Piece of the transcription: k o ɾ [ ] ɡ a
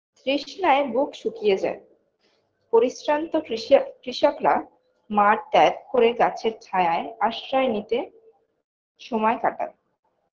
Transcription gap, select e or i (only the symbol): e